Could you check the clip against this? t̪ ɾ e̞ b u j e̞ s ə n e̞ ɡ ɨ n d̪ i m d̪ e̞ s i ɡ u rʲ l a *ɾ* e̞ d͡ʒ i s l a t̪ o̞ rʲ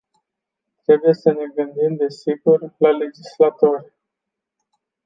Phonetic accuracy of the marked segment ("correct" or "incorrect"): incorrect